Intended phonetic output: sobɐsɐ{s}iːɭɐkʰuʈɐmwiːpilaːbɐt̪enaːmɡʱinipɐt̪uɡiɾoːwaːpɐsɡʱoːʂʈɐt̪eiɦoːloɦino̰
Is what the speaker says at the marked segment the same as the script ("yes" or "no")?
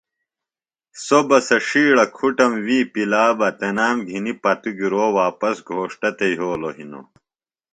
no